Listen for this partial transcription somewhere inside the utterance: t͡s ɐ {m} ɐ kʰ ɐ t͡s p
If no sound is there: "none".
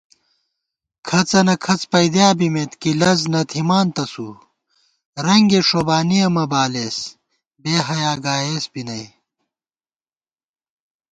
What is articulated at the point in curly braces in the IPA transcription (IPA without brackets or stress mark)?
n